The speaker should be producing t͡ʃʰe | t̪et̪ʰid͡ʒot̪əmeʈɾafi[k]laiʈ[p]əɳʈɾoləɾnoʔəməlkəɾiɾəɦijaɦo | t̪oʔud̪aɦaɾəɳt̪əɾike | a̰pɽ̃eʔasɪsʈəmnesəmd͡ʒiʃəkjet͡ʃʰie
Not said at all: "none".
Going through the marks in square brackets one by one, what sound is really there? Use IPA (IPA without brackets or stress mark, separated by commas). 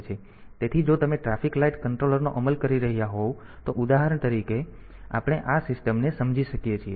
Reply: k, k